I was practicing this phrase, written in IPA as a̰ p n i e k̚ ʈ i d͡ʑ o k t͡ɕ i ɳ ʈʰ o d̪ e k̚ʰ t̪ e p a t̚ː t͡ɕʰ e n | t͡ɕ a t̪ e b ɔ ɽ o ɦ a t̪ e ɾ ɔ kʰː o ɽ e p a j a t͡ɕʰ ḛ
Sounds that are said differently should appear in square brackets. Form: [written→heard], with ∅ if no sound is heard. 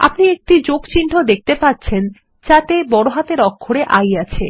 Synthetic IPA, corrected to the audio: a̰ p n i e k̚ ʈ i d͡ʑ o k t͡ɕ i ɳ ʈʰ o d̪ e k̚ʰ t̪ e p a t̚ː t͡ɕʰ e n | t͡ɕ a t̪ e b ɔ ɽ o ɦ a t̪ e ɾ ɔ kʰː o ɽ e [p→ʔ] a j a t͡ɕʰ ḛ